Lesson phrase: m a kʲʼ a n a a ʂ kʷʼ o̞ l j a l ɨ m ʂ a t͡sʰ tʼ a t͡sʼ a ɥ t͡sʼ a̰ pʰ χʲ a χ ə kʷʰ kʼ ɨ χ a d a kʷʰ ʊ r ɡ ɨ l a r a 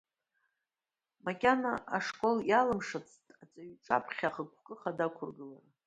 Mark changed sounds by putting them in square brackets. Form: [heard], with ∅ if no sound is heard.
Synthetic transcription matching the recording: m a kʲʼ a n a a ʂ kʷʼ o̞ l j a l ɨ m ʂ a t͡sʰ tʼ a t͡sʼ a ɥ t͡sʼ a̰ pʰ χʲ a χ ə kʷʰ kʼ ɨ χ a d a kʷʰ ʊ r ɡ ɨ l a r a